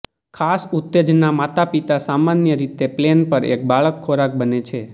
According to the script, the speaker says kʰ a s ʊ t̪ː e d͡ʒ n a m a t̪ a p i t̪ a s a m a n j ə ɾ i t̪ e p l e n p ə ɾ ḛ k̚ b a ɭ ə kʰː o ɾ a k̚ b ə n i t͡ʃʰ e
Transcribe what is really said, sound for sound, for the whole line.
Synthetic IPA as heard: kʰ a s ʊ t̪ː e d͡ʒ n a m a t̪ a p i t̪ a s a m a n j ə ɾ i t̪ e p l e n p ə ɾ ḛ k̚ b a ɭ ə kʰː o ɾ a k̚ b ə n e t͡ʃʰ e